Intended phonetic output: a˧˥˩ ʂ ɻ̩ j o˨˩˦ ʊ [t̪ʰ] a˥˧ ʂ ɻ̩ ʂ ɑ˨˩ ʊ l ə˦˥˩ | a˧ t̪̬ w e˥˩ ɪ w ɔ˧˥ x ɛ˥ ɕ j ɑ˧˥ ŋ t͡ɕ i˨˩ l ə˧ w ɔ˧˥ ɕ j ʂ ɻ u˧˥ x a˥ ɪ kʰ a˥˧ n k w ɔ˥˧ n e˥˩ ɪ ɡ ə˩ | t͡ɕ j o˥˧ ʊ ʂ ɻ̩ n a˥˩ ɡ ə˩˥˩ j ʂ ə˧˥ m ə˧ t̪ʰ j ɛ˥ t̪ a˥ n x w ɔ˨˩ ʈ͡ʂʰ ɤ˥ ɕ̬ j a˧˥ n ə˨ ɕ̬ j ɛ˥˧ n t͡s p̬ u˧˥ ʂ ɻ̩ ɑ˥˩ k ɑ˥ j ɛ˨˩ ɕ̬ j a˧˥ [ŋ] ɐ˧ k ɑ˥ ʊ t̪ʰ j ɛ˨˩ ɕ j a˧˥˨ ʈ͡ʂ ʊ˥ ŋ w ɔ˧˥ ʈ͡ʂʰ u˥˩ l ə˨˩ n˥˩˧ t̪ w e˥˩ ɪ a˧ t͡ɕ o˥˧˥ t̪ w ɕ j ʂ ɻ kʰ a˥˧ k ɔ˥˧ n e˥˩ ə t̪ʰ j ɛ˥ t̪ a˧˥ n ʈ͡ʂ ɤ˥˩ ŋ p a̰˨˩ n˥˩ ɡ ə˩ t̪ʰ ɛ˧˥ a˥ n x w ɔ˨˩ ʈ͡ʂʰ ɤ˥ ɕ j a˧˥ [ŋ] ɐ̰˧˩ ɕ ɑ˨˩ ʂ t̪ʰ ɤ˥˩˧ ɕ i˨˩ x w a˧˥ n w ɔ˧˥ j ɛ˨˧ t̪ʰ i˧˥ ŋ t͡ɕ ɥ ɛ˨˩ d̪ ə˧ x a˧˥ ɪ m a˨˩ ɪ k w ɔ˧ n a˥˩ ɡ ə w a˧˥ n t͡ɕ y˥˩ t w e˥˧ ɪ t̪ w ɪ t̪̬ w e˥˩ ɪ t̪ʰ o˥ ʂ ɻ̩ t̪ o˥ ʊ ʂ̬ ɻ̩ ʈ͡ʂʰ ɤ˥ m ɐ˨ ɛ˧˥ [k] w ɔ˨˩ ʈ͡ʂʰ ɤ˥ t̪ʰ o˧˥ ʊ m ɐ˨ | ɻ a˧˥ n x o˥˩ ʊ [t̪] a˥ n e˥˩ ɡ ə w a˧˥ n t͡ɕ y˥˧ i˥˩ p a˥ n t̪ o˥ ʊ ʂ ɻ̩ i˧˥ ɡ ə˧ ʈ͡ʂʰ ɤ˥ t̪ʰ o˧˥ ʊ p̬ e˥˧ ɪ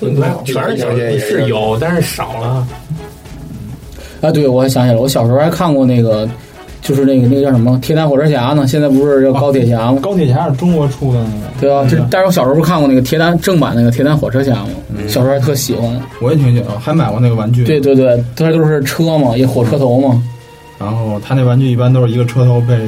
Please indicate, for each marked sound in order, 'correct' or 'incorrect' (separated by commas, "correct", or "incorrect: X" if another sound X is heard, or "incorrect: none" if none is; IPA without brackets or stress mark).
incorrect: t̪, incorrect: m, incorrect: m, incorrect: x, incorrect: t̪ʰ